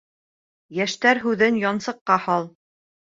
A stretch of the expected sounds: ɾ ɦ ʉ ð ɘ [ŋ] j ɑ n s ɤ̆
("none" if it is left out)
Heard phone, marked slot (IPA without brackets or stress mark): n